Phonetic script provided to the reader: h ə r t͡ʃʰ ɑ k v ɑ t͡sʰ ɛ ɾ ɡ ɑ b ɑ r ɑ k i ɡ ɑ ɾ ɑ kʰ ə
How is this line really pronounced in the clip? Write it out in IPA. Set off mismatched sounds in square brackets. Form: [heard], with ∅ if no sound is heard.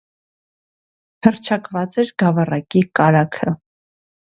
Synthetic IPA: h ə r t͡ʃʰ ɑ k v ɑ [t͡s] ɛ ɾ ɡ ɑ [v] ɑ r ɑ k i [k] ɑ ɾ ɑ kʰ ə